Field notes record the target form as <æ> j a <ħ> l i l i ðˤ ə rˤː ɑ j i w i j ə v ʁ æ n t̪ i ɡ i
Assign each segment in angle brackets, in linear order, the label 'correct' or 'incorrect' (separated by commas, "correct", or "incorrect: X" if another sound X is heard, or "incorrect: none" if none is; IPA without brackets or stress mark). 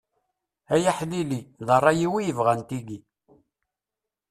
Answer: correct, correct